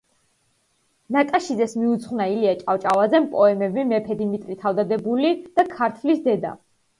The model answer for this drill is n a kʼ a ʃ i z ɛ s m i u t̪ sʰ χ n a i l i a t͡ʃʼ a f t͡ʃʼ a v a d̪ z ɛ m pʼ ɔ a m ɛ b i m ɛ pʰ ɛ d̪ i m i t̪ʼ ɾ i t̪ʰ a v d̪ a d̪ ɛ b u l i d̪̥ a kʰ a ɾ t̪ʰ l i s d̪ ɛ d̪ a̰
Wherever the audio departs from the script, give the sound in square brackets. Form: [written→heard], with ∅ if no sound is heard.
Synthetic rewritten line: n a kʼ a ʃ i z ɛ s m i u t̪ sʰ χ n a i l i a t͡ʃʼ a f t͡ʃʼ a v a d̪ z ɛ m pʼ ɔ [a→ɛ] m ɛ b i m ɛ pʰ ɛ d̪ i m i t̪ʼ ɾ i t̪ʰ a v d̪ a d̪ ɛ b u l i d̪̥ a kʰ a ɾ t̪ʰ l i s d̪ ɛ d̪ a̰